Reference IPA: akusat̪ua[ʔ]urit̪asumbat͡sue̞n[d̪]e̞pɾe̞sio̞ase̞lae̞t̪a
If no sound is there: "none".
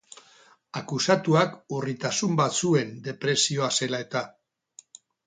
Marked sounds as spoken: k, d̪

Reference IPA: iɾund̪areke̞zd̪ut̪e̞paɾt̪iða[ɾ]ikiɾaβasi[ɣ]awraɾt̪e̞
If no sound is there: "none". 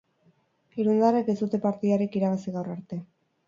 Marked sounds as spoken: ɾ, ɣ

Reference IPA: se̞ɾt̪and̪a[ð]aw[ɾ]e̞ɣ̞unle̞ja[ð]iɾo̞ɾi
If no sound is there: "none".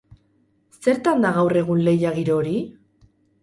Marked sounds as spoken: ɣ, r, ɣ

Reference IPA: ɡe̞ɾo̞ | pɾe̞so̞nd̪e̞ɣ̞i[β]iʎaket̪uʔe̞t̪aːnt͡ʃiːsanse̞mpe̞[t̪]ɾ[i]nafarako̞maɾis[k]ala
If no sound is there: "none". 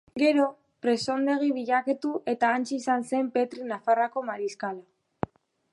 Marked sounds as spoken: β, t̪, i, k

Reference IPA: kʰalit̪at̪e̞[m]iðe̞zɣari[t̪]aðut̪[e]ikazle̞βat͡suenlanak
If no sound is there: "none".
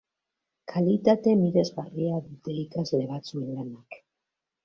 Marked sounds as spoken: m, none, e

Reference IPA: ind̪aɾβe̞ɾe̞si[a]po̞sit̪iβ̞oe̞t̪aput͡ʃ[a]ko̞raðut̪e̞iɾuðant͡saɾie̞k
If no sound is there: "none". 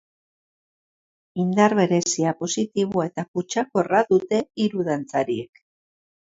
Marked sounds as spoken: a, a

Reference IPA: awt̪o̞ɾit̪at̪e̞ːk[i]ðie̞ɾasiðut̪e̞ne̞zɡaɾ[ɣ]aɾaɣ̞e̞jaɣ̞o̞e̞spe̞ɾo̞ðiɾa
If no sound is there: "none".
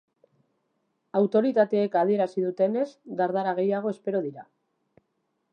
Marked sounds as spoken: a, ð

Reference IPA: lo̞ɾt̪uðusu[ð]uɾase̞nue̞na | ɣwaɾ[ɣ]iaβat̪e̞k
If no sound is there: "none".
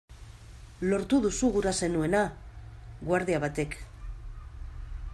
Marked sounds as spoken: ɣ, ð

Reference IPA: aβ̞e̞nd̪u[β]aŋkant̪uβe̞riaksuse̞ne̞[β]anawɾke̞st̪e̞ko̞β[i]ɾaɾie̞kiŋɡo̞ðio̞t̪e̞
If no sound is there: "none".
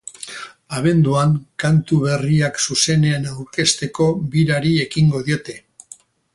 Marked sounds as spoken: none, none, i

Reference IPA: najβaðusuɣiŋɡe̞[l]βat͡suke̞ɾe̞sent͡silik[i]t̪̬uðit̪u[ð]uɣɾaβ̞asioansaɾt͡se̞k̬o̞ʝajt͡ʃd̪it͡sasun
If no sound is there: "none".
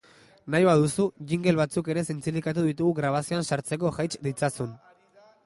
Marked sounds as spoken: l, a, ɣ

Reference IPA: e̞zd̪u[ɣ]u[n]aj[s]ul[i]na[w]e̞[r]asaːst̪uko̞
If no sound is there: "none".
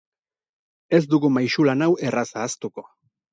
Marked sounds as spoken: ɣ, m, ʃ, a, w, r

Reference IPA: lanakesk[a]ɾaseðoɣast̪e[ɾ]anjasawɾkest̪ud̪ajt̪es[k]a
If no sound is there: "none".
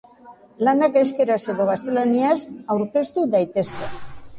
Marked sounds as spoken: e, l, k

